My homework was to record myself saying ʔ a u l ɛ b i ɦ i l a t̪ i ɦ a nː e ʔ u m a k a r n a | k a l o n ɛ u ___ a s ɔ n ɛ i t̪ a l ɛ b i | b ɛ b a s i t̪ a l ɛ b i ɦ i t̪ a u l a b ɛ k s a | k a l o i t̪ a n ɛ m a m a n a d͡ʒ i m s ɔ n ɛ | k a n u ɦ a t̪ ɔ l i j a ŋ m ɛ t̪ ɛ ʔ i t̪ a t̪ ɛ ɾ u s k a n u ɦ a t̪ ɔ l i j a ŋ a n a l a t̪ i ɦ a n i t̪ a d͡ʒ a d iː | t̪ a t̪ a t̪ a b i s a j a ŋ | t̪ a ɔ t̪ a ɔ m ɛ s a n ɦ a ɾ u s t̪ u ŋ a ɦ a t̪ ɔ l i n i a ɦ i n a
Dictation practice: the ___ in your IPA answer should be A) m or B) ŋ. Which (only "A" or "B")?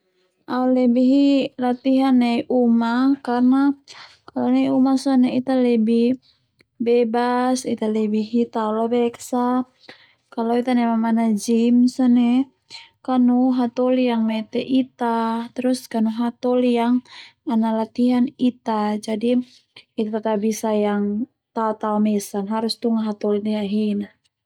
A